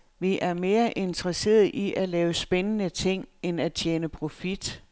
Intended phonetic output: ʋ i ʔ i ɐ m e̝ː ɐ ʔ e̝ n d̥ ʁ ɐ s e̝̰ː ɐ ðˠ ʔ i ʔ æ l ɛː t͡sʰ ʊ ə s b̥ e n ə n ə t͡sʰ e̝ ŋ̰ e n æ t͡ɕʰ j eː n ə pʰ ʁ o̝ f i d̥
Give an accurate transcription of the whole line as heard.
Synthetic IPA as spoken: ʋ i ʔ æ ɐ m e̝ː ɐ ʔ e̝ n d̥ ʁ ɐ s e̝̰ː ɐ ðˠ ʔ i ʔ æ l ɛː ʊ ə s b̥ e n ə n ə t͡sʰ e̝ ŋ̰ e n æ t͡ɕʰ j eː n ə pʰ ʁ o̝ f i d̥